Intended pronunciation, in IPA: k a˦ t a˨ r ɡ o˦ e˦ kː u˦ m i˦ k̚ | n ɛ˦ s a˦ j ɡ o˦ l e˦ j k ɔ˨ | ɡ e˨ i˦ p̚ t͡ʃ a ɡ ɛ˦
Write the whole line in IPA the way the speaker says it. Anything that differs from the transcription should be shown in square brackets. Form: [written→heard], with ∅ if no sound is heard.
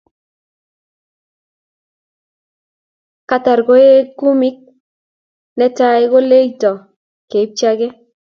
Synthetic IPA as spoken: k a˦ t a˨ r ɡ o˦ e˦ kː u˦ m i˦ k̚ | n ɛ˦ [s→t] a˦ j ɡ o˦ l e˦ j [k→t] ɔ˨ | [ɡ→k] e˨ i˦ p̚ t͡ʃ a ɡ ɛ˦